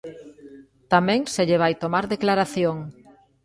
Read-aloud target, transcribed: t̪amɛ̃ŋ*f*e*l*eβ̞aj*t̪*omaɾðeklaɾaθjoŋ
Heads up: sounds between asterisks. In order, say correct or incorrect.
incorrect, incorrect, correct

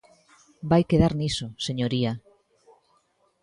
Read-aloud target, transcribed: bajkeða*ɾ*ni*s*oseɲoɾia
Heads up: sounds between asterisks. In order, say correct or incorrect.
correct, correct

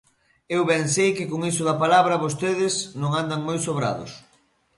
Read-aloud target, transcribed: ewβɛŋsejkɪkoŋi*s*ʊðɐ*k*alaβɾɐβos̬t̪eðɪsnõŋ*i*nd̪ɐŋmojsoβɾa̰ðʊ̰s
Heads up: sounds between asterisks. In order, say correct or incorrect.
correct, incorrect, incorrect

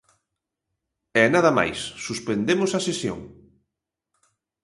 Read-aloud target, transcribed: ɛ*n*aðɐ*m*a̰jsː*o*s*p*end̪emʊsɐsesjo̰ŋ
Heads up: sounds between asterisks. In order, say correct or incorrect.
correct, correct, incorrect, correct

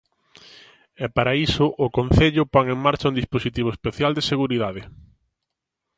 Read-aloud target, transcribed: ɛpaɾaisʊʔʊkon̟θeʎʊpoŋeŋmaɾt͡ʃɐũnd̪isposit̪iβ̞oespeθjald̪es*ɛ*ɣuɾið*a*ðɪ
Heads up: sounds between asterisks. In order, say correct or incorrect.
incorrect, correct

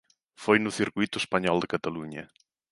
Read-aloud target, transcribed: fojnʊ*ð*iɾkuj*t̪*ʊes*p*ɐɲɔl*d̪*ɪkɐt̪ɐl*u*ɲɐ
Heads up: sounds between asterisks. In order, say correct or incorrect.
incorrect, correct, correct, correct, correct

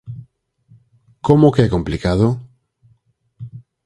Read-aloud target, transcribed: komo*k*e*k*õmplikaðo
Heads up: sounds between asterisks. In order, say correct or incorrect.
correct, correct

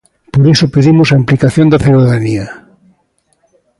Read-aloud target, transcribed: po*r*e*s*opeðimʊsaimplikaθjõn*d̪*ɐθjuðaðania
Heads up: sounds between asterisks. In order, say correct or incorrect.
incorrect, correct, correct

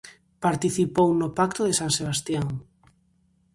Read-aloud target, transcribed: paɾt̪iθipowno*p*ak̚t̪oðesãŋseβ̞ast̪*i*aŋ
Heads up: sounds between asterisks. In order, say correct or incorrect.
correct, incorrect

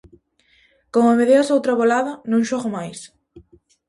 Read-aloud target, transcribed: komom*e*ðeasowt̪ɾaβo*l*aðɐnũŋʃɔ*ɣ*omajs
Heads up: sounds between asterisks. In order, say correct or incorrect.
correct, correct, correct

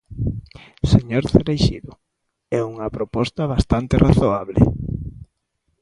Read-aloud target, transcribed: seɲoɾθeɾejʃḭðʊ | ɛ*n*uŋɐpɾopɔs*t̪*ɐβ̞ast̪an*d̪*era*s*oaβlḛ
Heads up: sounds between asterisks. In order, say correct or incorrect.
incorrect, correct, incorrect, incorrect

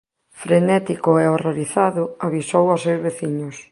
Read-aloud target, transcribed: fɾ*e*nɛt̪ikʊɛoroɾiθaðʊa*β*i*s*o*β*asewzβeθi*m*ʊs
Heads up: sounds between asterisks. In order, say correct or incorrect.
correct, correct, correct, incorrect, incorrect

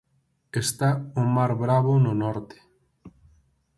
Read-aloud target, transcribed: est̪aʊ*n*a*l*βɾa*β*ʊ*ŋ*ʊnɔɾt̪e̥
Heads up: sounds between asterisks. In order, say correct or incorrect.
incorrect, incorrect, correct, incorrect

